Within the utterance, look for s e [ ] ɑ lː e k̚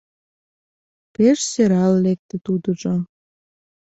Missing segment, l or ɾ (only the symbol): ɾ